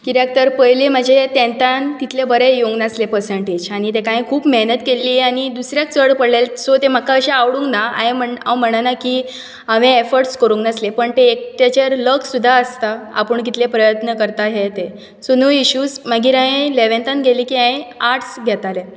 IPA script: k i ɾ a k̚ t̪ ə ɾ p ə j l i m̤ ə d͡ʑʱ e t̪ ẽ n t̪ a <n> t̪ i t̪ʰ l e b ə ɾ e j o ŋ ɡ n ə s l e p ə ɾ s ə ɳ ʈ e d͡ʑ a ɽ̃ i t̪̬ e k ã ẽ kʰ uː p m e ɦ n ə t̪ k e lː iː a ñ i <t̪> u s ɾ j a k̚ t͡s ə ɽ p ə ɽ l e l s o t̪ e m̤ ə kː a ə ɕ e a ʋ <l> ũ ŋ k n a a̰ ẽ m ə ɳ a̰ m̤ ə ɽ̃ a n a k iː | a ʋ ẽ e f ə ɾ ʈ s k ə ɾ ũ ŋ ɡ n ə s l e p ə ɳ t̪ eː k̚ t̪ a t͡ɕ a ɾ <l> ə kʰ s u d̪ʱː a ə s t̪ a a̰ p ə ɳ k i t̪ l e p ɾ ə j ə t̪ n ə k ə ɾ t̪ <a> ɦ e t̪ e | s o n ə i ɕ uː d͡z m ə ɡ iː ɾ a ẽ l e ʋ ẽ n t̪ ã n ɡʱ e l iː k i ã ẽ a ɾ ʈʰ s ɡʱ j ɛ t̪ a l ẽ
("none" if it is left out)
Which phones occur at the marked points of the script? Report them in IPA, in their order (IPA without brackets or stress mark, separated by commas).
n, d̪, ɽ, l, a